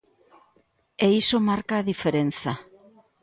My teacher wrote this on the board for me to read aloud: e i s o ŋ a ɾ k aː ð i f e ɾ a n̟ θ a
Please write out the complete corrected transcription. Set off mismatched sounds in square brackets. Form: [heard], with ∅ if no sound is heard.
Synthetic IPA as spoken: e i s o [m] a ɾ k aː ð i f e ɾ [e] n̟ θ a